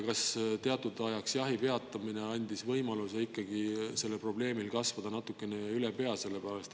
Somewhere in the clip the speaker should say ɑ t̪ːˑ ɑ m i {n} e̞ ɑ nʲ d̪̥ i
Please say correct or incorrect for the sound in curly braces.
correct